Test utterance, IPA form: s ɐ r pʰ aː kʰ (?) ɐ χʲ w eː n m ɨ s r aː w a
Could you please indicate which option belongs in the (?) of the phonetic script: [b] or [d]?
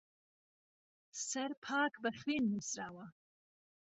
b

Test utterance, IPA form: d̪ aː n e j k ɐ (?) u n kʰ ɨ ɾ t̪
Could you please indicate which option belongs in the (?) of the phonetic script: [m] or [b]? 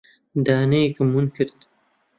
m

